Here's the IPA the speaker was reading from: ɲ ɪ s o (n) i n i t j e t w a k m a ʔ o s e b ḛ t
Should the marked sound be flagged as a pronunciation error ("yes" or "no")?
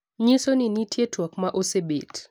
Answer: no